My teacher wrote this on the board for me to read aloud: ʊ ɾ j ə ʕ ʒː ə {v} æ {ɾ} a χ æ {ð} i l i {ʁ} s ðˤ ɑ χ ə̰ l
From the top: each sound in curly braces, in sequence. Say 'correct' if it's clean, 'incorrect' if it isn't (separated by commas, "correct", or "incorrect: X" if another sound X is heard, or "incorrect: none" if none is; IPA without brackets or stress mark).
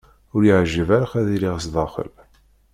correct, correct, correct, correct